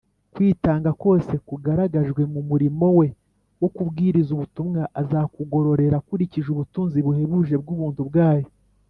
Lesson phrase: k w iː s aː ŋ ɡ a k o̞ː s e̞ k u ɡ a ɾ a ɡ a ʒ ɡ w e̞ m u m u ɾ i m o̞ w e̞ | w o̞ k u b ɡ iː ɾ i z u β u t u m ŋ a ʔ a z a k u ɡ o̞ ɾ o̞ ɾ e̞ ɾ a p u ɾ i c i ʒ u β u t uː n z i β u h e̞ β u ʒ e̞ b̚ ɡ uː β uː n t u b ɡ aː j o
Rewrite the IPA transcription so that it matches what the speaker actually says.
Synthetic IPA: k w iː t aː ŋ ɡ a k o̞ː s e̞ k u ɡ a ɾ a ɡ a ʒ ɡ w e̞ m u m u ɾ i m o̞ w e̞ | w o̞ k u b ɡ iː ɾ i z u β u t u m ŋ a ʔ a z a k u ɡ o̞ ɾ o̞ ɾ e̞ ɾ a k u ɾ i c i ʒ u β u t uː n z i β u h e̞ β u ʒ e̞ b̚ ɡ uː β uː n t u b ɡ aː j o